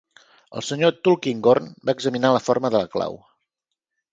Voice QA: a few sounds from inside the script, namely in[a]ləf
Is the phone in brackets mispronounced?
no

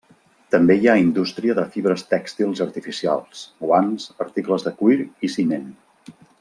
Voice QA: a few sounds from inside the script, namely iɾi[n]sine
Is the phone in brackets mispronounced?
yes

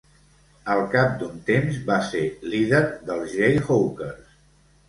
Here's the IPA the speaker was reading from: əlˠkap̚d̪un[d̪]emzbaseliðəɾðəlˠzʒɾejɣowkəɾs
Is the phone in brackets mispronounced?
yes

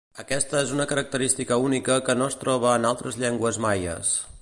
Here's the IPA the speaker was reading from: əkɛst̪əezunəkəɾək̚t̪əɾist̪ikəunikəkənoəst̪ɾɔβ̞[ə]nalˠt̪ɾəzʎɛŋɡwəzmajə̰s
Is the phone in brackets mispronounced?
yes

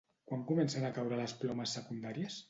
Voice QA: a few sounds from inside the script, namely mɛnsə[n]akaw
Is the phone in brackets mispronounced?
no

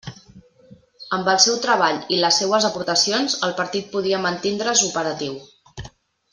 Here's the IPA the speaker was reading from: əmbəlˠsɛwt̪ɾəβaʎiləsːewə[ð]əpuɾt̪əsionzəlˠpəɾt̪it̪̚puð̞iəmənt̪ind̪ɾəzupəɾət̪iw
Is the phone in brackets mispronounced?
yes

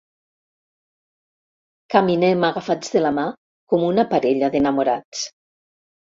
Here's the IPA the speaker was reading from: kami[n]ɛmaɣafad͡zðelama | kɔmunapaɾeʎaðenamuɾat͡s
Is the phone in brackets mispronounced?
no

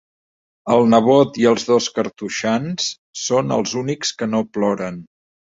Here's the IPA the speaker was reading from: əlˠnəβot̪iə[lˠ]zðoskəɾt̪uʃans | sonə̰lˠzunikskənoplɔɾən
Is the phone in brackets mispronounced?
no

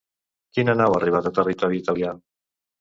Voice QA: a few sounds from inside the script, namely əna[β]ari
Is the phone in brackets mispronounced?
yes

